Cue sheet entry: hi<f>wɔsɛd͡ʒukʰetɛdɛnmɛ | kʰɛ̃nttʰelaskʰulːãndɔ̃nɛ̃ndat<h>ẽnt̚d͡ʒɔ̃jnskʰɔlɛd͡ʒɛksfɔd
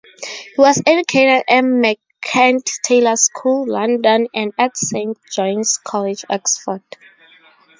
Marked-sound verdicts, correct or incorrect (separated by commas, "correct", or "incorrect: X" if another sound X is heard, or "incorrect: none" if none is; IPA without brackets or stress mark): incorrect: none, incorrect: s